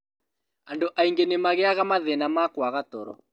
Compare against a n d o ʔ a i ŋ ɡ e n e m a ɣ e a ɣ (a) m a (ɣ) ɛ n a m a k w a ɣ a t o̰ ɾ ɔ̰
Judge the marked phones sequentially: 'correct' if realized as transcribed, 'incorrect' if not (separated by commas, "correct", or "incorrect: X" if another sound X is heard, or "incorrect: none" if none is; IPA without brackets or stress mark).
correct, incorrect: ð